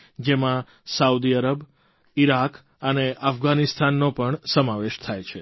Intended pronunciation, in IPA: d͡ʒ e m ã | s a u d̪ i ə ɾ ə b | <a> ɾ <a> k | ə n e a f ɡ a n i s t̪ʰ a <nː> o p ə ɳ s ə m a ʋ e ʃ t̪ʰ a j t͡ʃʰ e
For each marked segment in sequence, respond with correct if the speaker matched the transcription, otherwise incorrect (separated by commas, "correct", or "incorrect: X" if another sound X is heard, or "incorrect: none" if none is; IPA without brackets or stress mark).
incorrect: i, correct, correct